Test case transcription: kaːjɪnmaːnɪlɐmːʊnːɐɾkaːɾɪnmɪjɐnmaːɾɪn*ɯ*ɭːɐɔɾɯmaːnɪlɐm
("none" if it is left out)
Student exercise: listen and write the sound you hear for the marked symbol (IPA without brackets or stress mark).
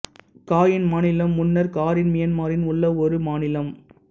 ʊ